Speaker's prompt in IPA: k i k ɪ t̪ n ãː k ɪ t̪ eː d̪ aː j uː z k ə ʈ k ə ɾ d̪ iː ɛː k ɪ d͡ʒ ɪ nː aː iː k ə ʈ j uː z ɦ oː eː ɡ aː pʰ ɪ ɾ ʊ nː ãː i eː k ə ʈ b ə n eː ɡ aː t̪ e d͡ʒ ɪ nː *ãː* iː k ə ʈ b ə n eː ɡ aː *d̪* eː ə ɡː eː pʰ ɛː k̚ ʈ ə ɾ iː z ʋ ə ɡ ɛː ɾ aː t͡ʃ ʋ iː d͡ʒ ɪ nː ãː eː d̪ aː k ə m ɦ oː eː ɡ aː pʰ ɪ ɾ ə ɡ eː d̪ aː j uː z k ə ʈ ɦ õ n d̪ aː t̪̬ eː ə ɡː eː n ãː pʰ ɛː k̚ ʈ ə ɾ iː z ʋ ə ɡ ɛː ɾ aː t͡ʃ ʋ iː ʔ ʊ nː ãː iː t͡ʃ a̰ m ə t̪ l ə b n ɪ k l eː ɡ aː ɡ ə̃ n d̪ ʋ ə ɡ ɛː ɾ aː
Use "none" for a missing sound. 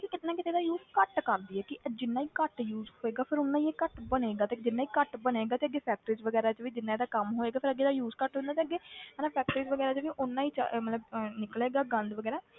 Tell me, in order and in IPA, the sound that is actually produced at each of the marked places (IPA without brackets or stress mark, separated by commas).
aː, t̪